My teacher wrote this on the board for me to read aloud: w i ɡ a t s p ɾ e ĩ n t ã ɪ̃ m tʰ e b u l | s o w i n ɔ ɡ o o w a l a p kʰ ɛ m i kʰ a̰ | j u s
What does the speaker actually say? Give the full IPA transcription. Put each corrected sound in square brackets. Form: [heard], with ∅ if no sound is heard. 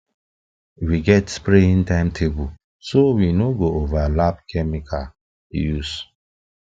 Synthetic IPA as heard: w i ɡ [ɛ] t s p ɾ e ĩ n t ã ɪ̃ m tʰ e b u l | s o w i n [o] ɡ o o [v] a l a p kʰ ɛ m i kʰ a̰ | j u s